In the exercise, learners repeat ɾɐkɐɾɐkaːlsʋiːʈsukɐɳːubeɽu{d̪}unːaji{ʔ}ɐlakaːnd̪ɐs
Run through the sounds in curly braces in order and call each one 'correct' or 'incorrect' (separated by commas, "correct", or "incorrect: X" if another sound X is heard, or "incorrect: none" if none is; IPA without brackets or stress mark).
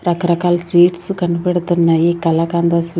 incorrect: t̪, incorrect: k